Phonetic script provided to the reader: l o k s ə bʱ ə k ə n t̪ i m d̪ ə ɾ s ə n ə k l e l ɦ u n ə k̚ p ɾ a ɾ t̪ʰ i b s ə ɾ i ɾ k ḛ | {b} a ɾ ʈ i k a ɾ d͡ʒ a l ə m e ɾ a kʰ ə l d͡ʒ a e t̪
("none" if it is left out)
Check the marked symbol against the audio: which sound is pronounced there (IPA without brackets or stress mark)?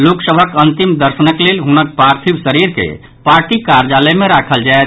p